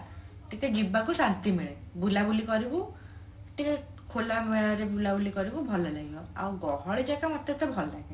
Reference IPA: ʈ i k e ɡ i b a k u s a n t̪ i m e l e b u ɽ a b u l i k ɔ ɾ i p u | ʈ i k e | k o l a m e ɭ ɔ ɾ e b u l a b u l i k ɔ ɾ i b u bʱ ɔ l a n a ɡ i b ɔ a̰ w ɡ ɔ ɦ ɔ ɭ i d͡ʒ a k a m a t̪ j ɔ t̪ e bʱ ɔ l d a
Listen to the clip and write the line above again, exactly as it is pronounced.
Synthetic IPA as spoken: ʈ i k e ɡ i b a k u s a n t̪ i m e ɭ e b u l a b u l i k ɔ ɾ i b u | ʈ i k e | kʰ o l a m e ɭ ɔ ɾ e b u l a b u l i k ɔ ɾ i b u bʱ ɔ l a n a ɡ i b ɔ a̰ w ɡ ɔ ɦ ɔ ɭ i d͡ʒ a k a m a t̪ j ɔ t̪ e bʱ ɔ l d a